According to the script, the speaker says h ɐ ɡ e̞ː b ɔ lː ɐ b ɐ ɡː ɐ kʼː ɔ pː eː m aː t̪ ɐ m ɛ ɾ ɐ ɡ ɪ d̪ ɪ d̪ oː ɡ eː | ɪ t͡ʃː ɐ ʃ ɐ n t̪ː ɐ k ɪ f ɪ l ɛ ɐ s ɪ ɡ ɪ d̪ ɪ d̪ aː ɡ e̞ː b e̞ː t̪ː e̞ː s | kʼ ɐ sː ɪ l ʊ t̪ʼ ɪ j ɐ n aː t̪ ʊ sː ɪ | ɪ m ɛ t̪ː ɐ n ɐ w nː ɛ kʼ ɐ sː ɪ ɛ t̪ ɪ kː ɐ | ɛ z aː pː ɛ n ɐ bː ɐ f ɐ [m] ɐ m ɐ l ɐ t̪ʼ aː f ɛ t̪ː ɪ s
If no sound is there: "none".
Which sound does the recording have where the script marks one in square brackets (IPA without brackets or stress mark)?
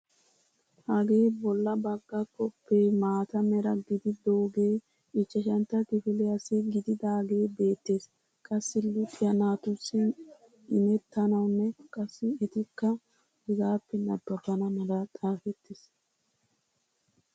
n